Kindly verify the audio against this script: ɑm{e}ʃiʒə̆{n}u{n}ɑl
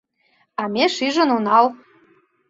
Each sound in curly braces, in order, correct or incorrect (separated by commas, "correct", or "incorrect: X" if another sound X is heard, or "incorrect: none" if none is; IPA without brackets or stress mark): correct, correct, correct